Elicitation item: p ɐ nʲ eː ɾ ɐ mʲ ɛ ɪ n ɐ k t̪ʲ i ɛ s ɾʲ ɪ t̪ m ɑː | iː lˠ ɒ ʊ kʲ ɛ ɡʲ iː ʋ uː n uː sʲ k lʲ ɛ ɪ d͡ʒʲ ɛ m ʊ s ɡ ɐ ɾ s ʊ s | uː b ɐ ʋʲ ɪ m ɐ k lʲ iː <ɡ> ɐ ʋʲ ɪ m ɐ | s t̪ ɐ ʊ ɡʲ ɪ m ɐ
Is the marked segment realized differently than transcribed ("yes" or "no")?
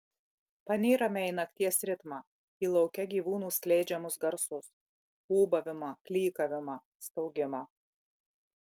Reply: yes